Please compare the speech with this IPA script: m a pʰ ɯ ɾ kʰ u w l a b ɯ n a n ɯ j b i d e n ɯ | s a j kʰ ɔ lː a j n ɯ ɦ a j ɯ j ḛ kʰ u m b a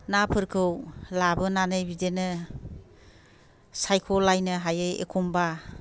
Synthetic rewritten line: n a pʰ ɯ ɾ kʰ ɯ w l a b ɯ n a n ɯ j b i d e n ɯ | s a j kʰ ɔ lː a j n ɯ ɦ a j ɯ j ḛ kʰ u m b a